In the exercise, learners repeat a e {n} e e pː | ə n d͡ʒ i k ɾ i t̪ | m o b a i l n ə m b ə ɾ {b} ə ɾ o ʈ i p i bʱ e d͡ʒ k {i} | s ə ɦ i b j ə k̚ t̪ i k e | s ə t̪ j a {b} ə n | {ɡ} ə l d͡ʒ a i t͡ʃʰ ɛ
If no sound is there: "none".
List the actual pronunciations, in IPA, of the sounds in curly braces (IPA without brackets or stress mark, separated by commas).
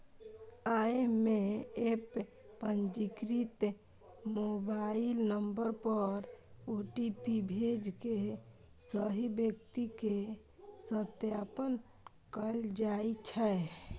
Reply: m, p, e, p, k